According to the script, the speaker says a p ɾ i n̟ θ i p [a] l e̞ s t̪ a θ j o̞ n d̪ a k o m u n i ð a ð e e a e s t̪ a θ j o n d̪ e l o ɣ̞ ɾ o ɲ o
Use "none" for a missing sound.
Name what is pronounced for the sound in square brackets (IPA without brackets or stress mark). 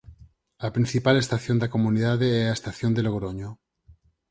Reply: a